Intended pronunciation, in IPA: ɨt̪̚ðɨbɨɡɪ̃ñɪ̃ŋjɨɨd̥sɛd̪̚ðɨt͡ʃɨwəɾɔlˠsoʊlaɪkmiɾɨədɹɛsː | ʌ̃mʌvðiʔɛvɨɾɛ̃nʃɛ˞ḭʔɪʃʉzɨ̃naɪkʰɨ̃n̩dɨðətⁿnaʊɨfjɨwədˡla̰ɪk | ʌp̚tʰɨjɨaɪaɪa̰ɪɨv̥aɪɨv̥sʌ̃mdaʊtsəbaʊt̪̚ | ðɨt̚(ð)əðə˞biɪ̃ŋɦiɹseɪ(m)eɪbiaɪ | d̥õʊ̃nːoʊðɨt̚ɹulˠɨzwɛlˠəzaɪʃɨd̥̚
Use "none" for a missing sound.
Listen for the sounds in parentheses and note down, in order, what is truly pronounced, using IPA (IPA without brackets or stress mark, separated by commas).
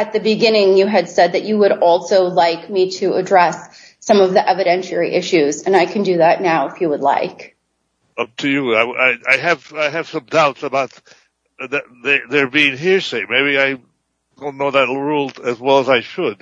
ð, m